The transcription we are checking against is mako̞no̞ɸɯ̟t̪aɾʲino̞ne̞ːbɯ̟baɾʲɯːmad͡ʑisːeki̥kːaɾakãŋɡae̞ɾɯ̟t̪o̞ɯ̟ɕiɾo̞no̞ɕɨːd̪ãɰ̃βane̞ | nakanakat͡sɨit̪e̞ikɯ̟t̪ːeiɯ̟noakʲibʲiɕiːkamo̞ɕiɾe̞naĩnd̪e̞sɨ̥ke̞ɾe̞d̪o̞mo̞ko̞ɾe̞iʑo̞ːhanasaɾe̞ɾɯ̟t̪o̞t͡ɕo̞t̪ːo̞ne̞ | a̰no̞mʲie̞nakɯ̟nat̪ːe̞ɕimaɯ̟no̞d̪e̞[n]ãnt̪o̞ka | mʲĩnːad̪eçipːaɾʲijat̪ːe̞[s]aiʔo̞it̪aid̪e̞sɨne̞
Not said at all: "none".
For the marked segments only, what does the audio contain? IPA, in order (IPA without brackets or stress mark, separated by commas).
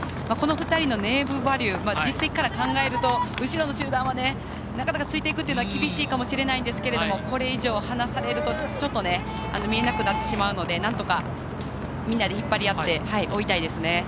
n, h